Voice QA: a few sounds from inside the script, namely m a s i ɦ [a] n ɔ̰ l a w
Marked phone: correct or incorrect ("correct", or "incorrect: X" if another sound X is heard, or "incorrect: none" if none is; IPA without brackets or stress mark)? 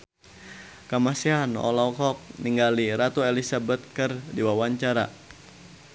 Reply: correct